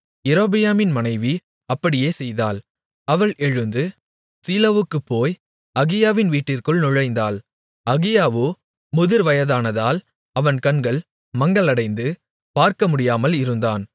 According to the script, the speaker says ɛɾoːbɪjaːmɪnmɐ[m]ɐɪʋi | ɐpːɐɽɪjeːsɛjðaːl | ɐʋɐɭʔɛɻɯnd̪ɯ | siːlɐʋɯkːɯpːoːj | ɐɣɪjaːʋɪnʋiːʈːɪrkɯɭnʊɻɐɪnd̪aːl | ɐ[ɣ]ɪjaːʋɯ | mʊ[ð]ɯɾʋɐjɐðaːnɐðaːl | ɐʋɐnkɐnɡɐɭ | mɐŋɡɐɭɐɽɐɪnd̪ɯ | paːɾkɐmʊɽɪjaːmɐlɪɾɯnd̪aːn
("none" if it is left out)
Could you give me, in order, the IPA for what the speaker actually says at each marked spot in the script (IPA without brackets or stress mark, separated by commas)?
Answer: n, ɣ, ð